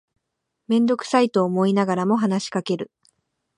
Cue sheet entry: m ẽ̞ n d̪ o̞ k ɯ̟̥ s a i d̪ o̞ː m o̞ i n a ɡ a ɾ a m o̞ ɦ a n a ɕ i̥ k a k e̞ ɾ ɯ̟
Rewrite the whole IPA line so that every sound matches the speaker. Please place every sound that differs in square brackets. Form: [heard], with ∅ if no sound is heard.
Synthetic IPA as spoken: m ẽ̞ n d̪ o̞ k ɯ̟̥ s a i [t̪] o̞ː m o̞ i n a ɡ a ɾ a m o̞ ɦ a n a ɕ i̥ k a k e̞ ɾ ɯ̟